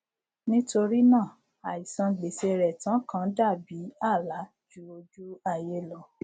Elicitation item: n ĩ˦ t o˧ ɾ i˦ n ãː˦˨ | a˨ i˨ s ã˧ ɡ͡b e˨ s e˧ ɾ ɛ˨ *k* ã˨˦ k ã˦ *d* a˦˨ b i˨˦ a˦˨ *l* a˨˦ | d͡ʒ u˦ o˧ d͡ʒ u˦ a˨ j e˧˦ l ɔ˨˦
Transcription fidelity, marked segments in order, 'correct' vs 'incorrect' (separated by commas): incorrect, correct, correct